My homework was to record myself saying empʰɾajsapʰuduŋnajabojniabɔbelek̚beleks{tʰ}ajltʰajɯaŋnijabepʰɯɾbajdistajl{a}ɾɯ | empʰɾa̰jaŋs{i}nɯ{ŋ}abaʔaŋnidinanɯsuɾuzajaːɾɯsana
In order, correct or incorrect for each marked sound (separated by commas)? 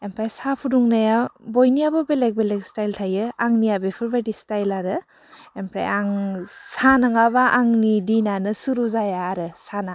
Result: incorrect, correct, incorrect, correct